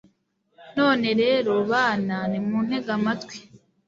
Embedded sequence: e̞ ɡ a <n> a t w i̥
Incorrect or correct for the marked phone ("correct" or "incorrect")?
incorrect